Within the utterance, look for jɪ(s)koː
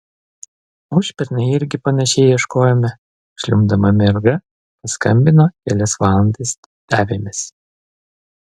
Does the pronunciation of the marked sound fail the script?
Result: yes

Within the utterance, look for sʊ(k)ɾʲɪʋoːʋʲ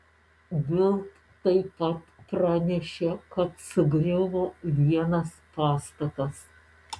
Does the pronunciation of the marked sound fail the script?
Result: yes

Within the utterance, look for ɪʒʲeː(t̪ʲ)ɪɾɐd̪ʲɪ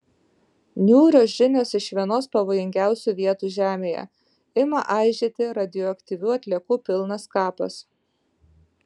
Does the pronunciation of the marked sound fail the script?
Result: no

